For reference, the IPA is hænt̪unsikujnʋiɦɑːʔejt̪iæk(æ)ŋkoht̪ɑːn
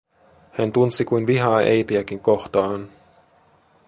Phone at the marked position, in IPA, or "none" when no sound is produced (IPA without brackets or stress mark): i